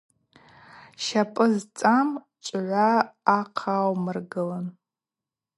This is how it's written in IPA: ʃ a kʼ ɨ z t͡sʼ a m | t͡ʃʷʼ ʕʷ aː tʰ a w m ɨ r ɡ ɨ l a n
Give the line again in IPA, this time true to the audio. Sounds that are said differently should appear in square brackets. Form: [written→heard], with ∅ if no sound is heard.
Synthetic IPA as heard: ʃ a [kʼ→pʼ] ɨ z t͡sʼ a m | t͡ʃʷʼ ʕʷ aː [tʰ→qʰ] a w m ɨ r ɡ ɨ l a n